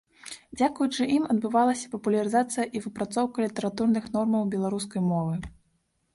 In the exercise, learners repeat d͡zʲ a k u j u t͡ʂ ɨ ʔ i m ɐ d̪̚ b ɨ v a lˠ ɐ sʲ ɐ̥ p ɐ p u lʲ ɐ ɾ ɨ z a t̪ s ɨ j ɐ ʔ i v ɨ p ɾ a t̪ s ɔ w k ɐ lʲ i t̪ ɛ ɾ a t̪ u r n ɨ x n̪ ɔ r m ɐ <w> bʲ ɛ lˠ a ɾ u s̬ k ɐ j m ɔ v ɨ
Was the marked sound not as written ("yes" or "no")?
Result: no